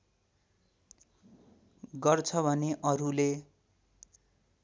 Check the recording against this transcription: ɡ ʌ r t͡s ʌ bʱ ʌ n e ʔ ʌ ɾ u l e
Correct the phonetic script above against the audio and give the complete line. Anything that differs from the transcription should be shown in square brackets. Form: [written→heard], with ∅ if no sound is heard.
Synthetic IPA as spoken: ɡ ʌ r [t͡s→t͡sʰ] ʌ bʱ ʌ n e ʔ ʌ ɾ u l e